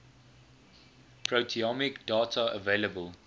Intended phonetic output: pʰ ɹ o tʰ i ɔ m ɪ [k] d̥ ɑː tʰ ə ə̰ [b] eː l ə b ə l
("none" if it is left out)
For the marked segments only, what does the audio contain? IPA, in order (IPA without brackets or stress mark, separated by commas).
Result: k, v